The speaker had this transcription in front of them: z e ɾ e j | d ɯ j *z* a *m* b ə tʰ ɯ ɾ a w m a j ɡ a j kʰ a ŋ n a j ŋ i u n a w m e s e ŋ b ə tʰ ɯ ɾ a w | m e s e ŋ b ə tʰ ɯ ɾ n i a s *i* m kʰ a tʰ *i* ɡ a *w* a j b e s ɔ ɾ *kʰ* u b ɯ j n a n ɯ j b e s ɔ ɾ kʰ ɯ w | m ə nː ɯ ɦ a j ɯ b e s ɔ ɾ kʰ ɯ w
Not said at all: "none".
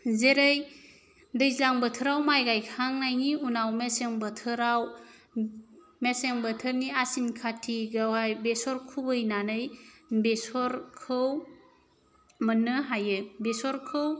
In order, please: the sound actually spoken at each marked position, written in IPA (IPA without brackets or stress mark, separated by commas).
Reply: z, ŋ, i, i, w, kʰ